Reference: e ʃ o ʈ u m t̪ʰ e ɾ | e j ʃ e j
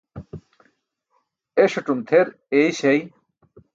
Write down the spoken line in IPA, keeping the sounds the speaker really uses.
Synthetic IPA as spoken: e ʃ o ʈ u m t̪ʰ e ɾ | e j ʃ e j